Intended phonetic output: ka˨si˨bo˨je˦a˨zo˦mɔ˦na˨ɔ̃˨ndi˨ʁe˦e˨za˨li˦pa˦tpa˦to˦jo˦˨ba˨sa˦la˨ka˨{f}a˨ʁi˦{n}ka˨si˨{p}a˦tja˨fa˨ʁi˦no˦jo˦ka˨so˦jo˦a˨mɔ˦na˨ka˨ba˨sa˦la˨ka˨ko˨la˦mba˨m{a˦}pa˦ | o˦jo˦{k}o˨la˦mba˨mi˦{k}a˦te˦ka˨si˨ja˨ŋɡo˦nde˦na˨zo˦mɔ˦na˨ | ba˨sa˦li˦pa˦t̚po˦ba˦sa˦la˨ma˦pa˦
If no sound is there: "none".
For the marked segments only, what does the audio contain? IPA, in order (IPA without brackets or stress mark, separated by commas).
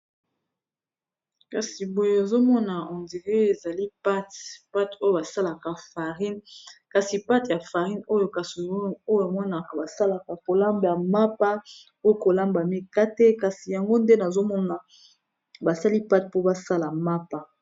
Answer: f, n, p, a˦, k, k